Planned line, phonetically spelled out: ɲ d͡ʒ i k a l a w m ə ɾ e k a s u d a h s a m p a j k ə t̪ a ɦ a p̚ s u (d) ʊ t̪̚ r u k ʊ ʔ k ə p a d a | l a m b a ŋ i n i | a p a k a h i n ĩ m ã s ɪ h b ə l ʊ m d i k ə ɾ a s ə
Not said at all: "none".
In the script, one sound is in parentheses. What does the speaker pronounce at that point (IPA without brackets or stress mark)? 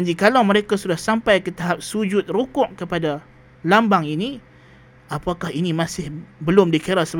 d͡ʒ